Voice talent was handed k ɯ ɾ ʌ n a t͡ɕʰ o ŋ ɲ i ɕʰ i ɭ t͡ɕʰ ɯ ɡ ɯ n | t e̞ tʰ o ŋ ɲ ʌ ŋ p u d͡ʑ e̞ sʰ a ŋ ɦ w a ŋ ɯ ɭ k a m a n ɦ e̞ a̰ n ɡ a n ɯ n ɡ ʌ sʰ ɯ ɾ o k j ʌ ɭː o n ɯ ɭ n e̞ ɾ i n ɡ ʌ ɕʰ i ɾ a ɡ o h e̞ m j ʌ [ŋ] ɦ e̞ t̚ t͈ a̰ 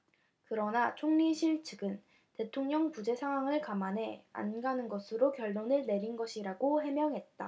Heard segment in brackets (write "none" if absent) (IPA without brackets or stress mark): ŋ